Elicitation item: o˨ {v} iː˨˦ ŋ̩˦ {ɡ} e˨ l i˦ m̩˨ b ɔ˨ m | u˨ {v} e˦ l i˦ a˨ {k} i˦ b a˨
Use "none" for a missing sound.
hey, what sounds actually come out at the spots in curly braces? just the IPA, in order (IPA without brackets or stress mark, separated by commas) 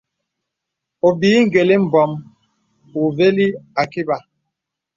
b, ɡ, v, k